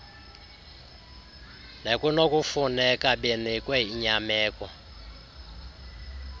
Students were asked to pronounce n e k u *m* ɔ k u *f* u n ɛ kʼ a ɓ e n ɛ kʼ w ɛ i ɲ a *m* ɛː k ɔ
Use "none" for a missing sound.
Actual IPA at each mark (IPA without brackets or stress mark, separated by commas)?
n, f, m